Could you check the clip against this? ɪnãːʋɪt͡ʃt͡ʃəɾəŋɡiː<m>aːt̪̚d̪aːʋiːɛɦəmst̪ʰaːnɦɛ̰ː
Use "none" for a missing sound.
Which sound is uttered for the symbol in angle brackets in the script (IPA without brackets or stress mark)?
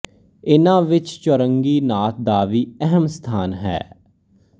n